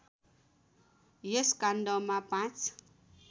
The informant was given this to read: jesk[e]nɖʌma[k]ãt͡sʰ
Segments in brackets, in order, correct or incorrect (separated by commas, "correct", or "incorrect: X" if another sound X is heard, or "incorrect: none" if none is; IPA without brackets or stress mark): incorrect: a, incorrect: p